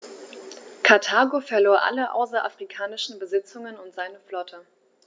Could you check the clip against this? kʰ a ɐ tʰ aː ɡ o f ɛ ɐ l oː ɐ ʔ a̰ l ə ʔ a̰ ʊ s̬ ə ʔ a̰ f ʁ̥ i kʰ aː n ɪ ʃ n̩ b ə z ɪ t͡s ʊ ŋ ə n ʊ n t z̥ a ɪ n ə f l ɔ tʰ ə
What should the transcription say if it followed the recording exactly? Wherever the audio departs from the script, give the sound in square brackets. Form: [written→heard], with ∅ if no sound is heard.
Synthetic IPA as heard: kʰ a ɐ tʰ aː ɡ o f ɛ ɐ l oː ɐ ʔ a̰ l ə ʔ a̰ ʊ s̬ [ə→ɐ] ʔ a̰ f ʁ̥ i kʰ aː n ɪ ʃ n̩ b ə z ɪ t͡s ʊ ŋ ə n ʊ n t z̥ a ɪ n ə f l ɔ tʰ ə

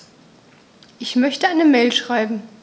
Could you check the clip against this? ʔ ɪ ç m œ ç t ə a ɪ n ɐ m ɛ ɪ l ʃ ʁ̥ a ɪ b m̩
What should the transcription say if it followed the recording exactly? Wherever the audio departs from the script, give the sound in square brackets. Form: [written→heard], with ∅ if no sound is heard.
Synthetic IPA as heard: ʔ ɪ ç m œ ç t ə a ɪ n [ɐ→ə] m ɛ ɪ l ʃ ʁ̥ a ɪ b m̩

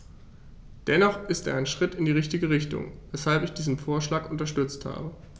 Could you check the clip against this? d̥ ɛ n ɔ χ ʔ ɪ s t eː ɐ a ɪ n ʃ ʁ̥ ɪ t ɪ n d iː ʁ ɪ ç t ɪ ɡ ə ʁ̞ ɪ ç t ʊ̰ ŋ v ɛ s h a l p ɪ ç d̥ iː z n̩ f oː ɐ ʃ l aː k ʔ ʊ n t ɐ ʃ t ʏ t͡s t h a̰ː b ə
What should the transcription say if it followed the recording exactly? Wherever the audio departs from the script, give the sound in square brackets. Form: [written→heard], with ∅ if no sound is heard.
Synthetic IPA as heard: d̥ ɛ n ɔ χ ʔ ɪ s t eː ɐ a ɪ n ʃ ʁ̥ ɪ t ɪ n d iː ʁ ɪ ç t ɪ ɡ ə ʁ̞ ɪ ç t ʊ̰ ŋ v ɛ s h a l p ɪ ç d̥ iː z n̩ f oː ɐ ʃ l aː k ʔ ʊ n t ɐ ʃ t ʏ t͡s t h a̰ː b ə

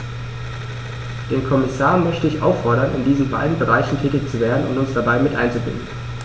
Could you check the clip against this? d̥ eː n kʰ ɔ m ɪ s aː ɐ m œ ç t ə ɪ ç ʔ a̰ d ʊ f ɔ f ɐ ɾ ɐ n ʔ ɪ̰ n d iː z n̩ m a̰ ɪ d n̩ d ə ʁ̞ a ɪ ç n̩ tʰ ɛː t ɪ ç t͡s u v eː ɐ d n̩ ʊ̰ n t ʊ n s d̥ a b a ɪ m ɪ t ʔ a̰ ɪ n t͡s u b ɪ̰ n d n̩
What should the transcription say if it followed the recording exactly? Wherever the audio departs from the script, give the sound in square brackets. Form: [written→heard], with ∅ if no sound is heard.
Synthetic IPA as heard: d̥ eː n kʰ ɔ m ɪ s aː ɐ m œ ç t ə ɪ ç ʔ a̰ [d→∅] ʊ f ɔ [f→∅] ɐ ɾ ɐ n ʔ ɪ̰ n d iː z n̩ [m→b] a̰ ɪ d n̩ [d→b] ə ʁ̞ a ɪ ç n̩ tʰ ɛː t ɪ ç t͡s u v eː ɐ d n̩ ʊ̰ n t ʊ n s d̥ a b a ɪ m ɪ t ʔ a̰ ɪ n t͡s u b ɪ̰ n d n̩

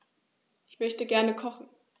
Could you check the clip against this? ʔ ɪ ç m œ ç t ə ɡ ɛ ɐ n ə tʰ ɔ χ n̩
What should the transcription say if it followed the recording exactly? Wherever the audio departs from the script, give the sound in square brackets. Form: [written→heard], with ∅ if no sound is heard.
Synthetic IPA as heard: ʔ ɪ ç m œ ç t ə ɡ ɛ ɐ n ə [tʰ→kʰ] ɔ χ n̩

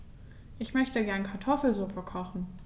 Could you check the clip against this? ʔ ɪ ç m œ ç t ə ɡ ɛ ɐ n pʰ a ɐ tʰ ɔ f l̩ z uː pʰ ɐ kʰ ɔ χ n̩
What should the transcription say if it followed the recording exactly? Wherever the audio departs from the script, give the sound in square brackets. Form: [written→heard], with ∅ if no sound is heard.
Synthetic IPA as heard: ʔ ɪ ç m œ ç t ə ɡ ɛ ɐ n [pʰ→kʰ] a ɐ tʰ ɔ f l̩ z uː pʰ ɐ kʰ ɔ χ n̩

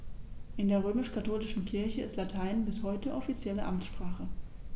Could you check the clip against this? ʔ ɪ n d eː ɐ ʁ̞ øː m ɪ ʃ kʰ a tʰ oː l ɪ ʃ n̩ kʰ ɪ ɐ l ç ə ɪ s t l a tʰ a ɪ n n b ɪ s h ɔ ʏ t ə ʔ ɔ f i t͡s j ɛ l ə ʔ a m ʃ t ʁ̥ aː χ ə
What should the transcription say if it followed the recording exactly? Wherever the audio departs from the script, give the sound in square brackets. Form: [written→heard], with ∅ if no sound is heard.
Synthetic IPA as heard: ʔ ɪ n d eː ɐ ʁ̞ øː m ɪ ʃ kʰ a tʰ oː l ɪ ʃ n̩ kʰ ɪ ɐ [l→∅] ç ə ɪ s t l a tʰ a ɪ n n b ɪ s h ɔ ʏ t ə ʔ ɔ f i t͡s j ɛ l ə ʔ a m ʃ [t→p] ʁ̥ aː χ ə

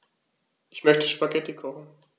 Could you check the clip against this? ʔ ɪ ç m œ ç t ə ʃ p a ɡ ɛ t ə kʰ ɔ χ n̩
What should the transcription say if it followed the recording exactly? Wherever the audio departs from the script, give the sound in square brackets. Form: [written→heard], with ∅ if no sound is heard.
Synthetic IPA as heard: ʔ ɪ ç m œ ç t ə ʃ p a ɡ ɛ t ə kʰ ɔ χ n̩

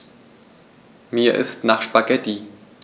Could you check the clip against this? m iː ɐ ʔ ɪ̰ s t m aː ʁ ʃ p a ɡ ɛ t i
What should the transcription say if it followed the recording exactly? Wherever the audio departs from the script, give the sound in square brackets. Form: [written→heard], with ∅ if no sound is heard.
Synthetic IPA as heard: m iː ɐ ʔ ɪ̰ s t [m→n] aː [ʁ→χ] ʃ p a ɡ ɛ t i

